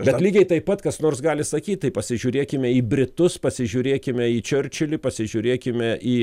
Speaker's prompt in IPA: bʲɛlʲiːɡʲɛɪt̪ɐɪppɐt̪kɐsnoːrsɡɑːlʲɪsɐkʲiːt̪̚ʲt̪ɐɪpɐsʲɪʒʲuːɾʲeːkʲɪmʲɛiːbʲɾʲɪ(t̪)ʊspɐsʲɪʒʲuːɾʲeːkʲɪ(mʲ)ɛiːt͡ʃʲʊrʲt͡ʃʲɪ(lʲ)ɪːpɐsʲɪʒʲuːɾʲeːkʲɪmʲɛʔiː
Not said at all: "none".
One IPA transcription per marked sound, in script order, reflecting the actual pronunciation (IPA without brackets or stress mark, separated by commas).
t̪, mʲ, lʲ